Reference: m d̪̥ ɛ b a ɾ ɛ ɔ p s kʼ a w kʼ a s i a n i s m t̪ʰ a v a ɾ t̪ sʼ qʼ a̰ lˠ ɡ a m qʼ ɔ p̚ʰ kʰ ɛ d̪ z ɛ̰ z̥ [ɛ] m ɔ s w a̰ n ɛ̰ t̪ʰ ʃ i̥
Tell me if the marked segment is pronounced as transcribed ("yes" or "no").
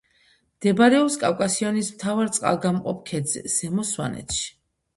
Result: yes